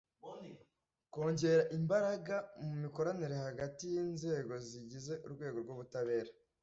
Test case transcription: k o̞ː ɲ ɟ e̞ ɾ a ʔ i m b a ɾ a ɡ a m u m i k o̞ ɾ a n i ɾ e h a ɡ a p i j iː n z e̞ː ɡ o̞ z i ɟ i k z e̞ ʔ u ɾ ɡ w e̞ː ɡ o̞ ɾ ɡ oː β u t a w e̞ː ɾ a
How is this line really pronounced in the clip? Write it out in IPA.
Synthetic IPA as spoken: k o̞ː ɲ ɟ e̞ ɾ a ʔ i m b a ɾ a ɡ a m u m i k o̞ ɾ a n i ɾ e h a ɡ a t i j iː n z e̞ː ɡ o̞ z i ɟ i z e̞ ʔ u ɾ ɡ w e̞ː ɡ o̞ ɾ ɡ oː β u t a β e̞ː ɾ a

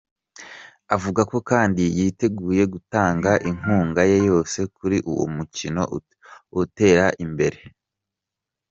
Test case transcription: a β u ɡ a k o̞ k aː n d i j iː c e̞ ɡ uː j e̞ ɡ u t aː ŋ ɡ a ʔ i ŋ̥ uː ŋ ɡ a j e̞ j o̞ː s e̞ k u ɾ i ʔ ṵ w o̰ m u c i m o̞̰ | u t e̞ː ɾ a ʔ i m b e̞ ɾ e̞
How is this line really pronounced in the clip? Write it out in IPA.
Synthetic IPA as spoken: a v u ɡ a k o̞ k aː n d i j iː t e̞ ɡ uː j e̞ ɡ u t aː ŋ ɡ a ʔ i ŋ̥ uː ŋ ɡ a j e̞ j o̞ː s e̞ k u ɾ i ʔ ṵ w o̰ m u c i n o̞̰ | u t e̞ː ɾ a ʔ i m b e̞ ɾ e̞

